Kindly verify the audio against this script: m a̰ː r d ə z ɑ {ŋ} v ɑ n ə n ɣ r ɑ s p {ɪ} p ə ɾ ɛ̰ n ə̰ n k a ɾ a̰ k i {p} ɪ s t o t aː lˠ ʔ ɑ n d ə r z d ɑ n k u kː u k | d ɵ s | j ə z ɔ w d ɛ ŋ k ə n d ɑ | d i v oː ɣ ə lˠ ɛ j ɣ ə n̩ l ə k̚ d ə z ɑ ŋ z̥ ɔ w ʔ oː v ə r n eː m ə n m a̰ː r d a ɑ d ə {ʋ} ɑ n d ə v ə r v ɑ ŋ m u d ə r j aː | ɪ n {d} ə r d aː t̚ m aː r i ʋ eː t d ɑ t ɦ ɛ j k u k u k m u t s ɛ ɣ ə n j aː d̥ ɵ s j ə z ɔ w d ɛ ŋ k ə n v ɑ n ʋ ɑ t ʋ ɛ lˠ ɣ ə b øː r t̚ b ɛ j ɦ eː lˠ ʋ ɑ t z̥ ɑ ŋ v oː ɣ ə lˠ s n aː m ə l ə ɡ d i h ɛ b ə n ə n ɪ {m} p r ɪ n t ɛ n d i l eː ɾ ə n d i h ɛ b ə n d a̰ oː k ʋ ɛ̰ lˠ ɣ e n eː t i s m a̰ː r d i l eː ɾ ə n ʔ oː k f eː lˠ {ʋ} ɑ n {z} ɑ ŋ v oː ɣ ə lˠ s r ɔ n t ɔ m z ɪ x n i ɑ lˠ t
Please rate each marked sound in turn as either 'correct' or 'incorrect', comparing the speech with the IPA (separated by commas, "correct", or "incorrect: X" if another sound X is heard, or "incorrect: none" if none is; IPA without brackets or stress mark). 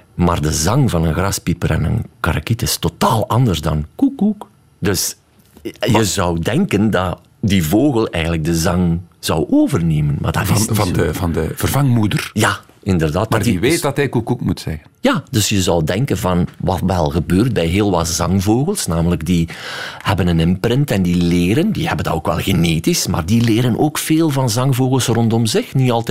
correct, incorrect: i, incorrect: t, incorrect: v, correct, correct, incorrect: v, correct